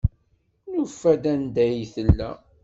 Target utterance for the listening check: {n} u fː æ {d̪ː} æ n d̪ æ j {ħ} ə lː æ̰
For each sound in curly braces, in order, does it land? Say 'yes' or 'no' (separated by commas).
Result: yes, no, no